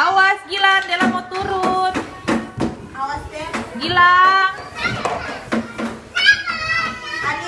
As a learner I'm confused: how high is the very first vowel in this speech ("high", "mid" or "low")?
low